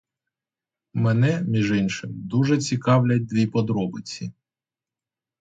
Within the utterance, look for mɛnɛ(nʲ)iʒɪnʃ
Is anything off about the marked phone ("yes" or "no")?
yes